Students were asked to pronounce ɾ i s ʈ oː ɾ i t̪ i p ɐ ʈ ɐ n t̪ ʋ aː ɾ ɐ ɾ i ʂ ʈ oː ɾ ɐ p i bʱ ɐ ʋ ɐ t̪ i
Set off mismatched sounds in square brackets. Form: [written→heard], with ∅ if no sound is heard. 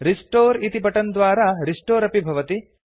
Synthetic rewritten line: ɾ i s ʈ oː ɾ i t̪ i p ɐ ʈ ɐ n [t̪→d̪] ʋ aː ɾ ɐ ɾ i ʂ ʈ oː ɾ ɐ p i bʱ ɐ ʋ ɐ t̪ i

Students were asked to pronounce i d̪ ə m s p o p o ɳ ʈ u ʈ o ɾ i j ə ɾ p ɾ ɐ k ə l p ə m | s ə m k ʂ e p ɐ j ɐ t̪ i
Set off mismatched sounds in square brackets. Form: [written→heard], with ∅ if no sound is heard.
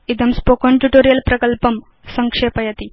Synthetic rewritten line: i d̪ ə m s p o [p→k] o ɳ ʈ u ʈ o ɾ i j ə [ɾ→l] p ɾ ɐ k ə l p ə m | s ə [m→ŋ] k ʂ e p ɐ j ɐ t̪ i

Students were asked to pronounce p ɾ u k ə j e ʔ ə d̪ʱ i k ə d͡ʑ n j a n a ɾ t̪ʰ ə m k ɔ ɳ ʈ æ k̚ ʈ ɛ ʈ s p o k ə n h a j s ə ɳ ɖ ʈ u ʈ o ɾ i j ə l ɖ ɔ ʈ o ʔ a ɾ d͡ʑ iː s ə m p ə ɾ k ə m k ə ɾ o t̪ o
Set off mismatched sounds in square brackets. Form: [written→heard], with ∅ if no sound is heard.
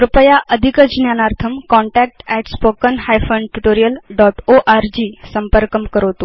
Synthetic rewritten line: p ɾ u [k→p] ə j [e→a] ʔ ə d̪ʱ i k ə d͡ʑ n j a n a ɾ t̪ʰ ə m k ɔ ɳ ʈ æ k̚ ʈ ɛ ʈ s p o k ə n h a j [s→f] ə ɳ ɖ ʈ u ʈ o ɾ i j ə l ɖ ɔ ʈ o ʔ a ɾ d͡ʑ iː s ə m p ə ɾ k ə m k ə ɾ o t̪ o

